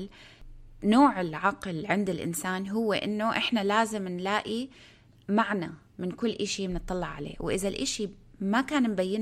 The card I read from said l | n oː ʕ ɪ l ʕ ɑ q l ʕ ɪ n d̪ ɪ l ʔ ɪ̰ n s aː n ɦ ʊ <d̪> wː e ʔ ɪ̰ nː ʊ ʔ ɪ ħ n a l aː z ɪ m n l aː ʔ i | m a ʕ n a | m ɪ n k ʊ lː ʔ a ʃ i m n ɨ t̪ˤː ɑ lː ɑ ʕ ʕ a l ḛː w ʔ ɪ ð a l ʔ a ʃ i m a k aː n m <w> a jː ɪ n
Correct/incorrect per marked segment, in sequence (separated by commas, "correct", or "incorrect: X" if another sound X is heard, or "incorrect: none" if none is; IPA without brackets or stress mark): incorrect: none, incorrect: b